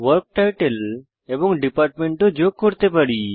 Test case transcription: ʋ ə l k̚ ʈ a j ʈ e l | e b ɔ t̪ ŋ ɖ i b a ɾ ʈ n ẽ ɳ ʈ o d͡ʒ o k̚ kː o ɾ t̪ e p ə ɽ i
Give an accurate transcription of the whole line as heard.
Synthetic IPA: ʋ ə ɾ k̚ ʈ a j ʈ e l | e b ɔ ŋ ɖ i p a ɾ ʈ m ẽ ɳ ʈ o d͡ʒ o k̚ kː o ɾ t̪ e p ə ɽ i